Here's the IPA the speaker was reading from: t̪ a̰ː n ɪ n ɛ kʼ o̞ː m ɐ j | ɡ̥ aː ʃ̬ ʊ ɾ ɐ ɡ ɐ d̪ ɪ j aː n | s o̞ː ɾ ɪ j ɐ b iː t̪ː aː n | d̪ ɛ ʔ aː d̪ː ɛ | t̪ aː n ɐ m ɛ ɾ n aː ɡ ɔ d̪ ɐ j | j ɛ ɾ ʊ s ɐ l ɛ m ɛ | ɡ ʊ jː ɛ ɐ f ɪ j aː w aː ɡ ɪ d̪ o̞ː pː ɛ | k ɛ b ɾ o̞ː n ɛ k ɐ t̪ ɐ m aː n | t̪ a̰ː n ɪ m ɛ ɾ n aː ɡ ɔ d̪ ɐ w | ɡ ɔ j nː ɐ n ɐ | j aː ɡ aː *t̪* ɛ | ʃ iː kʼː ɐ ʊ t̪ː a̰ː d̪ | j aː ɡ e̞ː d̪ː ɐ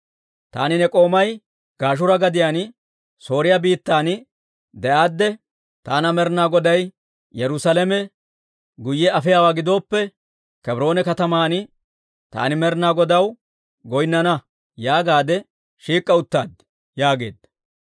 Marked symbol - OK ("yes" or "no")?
no